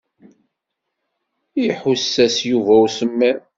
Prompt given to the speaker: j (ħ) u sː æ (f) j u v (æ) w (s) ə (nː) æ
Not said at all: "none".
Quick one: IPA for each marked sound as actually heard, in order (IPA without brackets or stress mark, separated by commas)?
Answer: ħ, s, æ, s, mː